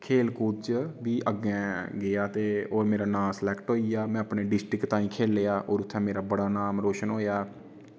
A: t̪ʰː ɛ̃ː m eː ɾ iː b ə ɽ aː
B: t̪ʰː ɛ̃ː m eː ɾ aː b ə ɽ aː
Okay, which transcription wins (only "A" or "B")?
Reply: B